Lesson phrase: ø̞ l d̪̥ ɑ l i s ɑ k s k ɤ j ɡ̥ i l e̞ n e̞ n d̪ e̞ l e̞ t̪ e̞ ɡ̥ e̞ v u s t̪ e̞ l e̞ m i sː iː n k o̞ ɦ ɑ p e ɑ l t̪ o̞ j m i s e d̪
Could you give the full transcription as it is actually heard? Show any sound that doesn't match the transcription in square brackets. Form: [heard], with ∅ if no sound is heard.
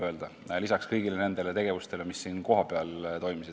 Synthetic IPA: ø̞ l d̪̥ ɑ l i s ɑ k s k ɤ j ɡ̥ i l e̞ n e̞ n d̪ e̞ l e̞ t̪ e̞ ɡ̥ e̞ v u s t̪ e̞ l e̞ m i sː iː n k o̞ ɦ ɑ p e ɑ l t̪ o̞ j m i s [i] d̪

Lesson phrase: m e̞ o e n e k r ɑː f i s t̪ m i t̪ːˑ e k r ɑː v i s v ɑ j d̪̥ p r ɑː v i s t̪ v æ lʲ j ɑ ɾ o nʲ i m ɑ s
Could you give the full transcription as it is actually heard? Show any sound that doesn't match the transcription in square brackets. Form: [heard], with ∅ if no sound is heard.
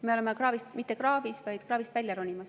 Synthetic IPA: m e̞ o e [m] e k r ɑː [v] i s t̪ m i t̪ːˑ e k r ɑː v i s v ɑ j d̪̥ [k] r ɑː v i s t̪ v æ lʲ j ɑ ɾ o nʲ i m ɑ s

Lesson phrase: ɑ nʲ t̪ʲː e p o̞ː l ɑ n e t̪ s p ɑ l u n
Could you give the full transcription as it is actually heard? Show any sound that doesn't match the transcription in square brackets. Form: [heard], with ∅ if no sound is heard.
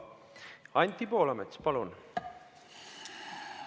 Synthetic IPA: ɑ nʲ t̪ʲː [i] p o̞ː l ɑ [m] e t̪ s p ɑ l u n

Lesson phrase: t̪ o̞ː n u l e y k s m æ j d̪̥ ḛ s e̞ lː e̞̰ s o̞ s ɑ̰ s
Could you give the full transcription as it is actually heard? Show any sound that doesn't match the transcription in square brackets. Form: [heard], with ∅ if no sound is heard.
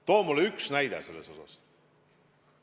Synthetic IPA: t̪ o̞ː [m] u l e y k s [n] æ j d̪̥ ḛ s e̞ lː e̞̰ s o̞ s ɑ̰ s

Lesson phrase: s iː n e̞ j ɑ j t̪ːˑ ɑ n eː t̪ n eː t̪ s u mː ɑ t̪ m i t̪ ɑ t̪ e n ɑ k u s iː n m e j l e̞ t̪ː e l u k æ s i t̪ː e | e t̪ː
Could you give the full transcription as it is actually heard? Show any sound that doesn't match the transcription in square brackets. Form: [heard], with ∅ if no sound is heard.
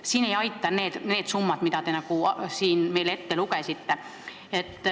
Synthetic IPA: s iː n e̞ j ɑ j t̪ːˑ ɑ n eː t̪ n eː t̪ s u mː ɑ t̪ m i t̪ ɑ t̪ e n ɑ k u s iː n m e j l e̞ t̪ː e l u k [e] s i t̪ː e | e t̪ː

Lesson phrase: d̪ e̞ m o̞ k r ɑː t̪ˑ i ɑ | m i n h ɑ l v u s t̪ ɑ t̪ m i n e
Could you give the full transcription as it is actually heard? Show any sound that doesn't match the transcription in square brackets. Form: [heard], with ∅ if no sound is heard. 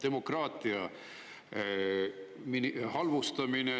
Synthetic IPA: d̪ e̞ m o̞ k r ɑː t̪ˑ i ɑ | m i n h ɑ l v u s t̪ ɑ [∅] m i n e

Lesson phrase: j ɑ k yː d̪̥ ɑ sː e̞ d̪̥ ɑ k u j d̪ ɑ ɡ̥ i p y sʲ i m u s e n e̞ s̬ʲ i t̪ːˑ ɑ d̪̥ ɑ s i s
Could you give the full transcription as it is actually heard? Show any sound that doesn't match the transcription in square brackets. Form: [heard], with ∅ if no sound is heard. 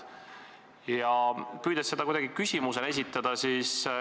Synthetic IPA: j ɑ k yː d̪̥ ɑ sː e̞ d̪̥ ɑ k u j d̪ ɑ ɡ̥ i [k] y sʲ i m u s e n e̞ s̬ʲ i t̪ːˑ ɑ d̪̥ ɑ s i s

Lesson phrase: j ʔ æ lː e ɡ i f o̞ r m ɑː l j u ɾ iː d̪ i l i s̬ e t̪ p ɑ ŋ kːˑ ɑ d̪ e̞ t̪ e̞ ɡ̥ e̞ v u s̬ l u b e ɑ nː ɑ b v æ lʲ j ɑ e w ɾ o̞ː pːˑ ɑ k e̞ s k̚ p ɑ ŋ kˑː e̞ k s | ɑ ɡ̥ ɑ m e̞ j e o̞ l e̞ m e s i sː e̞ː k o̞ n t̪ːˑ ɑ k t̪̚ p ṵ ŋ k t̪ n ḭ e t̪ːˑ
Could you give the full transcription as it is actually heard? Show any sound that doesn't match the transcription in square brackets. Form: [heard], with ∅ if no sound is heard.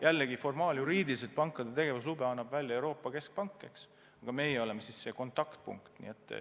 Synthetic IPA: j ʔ æ lː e ɡ i f o̞ r m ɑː l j u ɾ iː d̪ i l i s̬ e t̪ p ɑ ŋ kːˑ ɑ d̪ e̞ t̪ e̞ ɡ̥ e̞ v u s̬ l u b e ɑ nː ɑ b v æ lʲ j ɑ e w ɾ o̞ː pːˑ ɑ k e̞ s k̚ p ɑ ŋ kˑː e̞ k s | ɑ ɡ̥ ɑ m e̞ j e o̞ l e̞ m e s i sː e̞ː k o̞ n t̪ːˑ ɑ k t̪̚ p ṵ ŋ k t̪ n ḭ e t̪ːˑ

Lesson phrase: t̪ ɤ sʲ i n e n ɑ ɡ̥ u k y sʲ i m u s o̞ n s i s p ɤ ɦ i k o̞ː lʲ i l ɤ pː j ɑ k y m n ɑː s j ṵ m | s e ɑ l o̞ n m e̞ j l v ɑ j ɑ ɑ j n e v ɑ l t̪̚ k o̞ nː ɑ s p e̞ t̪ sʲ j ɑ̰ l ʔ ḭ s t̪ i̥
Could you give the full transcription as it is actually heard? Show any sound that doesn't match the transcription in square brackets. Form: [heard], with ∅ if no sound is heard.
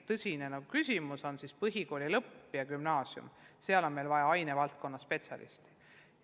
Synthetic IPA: t̪ ɤ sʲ i n e n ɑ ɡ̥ u k y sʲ i m u s o̞ n s i s p ɤ ɦ i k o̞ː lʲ i l ɤ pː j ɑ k y m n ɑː s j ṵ m | s e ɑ l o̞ n m e̞ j l v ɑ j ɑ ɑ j n e v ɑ l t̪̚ k o̞ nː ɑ s p e̞ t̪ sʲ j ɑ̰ l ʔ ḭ s t̪ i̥

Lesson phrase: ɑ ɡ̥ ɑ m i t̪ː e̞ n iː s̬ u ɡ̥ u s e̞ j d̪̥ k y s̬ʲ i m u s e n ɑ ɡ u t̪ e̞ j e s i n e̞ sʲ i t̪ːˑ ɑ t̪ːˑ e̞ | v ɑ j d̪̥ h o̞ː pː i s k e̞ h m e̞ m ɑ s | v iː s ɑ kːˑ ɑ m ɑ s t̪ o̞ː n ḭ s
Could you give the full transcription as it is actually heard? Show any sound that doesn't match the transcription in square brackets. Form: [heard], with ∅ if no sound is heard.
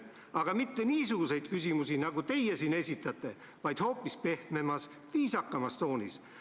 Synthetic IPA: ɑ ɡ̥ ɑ m i t̪ː e̞ n iː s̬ u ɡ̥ u s e̞ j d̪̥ k y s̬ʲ i m u s [i] n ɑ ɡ u t̪ e̞ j e s i n e̞ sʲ i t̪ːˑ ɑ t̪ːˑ e̞ | v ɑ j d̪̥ h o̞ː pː i s [p] e̞ h m e̞ m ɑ s | v iː s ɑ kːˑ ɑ m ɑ s t̪ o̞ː n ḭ s

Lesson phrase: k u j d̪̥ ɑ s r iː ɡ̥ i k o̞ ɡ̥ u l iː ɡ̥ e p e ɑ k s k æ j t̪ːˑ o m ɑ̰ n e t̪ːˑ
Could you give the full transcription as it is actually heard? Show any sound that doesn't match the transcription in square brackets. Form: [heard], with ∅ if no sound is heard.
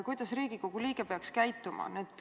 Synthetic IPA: k u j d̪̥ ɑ s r iː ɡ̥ i k o̞ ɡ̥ u l iː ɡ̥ e p e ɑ k s k æ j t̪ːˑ [u] m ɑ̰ n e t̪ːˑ

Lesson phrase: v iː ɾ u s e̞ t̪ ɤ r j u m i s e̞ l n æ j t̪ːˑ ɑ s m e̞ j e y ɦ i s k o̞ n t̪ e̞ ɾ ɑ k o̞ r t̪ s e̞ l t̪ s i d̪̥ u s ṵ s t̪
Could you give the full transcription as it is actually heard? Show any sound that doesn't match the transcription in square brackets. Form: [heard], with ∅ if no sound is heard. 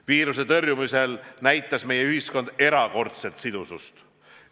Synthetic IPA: v iː ɾ u s e̞ t̪ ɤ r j u m i s e̞ l n æ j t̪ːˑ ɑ s m e̞ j e y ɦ i s k o̞ n [d̪] e̞ ɾ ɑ k o̞ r t̪ s e̞ l t̪ s i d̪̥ u s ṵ s t̪

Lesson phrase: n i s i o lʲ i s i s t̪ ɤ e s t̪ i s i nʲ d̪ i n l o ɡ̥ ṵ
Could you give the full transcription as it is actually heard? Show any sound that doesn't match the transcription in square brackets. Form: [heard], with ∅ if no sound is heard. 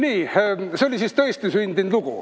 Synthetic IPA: n [iː] s [e] o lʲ i s i s t̪ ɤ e s t̪ i s [y] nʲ d̪ i n l [u] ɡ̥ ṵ

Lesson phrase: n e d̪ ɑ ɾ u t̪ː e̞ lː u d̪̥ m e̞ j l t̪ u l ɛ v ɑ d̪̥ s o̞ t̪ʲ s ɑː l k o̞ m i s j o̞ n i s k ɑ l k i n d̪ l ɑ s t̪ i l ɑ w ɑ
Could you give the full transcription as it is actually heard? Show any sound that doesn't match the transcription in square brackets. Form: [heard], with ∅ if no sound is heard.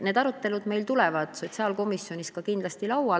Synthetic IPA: n e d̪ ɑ ɾ u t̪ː e̞ [l] u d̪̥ m e̞ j l t̪ u l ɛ v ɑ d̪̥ s o̞ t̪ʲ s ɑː l k o̞ m i s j o̞ n i s k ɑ [∅] k i n d̪ l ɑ s t̪ i l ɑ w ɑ

